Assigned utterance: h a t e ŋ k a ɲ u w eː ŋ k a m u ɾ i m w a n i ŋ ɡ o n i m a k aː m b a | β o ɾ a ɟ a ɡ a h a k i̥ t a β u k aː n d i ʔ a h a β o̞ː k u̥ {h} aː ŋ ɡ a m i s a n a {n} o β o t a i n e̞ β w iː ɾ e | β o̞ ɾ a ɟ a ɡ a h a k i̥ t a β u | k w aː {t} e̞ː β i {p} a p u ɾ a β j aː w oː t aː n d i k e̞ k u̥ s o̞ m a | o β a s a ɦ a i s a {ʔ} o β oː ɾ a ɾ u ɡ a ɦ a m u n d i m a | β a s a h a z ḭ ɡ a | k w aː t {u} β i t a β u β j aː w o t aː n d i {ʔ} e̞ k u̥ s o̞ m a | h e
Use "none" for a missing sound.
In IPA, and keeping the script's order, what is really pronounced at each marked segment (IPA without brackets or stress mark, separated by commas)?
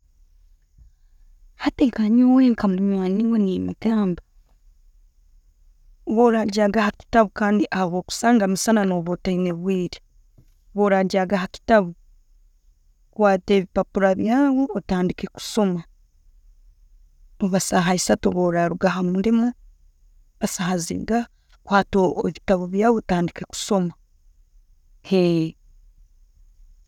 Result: s, n, t, p, t, o, k